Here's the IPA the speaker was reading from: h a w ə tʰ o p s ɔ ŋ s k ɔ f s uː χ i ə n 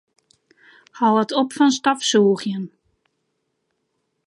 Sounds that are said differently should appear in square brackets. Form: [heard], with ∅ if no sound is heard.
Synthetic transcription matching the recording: h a w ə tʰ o p [f] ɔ [n] s [t] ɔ f s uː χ [j] ə n